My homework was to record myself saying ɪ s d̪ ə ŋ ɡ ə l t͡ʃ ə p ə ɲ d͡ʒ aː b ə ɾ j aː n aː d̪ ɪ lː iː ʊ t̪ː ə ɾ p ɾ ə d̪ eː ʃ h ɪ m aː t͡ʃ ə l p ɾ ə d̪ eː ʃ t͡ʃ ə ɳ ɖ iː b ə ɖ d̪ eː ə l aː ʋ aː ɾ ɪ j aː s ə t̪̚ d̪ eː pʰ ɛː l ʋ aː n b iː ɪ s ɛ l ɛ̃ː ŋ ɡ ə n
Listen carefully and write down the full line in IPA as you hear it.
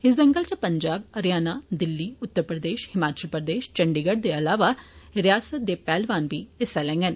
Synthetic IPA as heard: ɪ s d̪ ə ŋ ɡ ə l t͡ʃ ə p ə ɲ d͡ʒ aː b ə ɾ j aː n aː d̪ ɪ lː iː ʊ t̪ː ə ɾ p ɾ ə d̪ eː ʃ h ɪ m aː t͡ʃ ə l p ɾ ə d̪ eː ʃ t͡ʃ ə ɳ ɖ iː ɡ ə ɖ d̪ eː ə l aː ʋ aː ɾ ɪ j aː s ə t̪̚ d̪ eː p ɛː l ʋ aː n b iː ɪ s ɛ l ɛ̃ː ŋ ɡ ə n